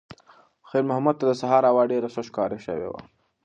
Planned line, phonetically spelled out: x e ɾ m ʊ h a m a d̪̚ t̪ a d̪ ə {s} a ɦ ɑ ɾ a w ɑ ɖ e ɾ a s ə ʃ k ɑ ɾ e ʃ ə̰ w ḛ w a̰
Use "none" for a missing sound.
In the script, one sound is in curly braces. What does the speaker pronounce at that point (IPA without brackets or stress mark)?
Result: s